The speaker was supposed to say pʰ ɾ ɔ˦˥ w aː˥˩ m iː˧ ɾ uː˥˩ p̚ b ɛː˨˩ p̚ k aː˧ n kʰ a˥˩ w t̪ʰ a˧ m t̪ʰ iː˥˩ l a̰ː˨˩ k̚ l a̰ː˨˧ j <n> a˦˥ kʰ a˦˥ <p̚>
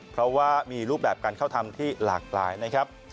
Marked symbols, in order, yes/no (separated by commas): yes, yes